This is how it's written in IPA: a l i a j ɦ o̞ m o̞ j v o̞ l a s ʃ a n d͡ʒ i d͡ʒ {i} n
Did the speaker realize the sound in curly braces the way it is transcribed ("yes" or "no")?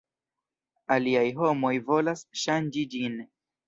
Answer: yes